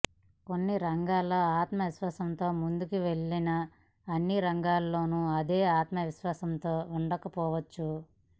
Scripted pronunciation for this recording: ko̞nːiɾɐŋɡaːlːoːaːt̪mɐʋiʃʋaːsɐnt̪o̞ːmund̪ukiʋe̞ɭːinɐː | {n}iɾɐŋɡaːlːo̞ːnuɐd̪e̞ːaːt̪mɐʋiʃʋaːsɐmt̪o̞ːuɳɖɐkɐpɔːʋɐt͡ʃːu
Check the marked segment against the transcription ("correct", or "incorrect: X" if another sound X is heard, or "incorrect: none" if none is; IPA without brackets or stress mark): incorrect: nː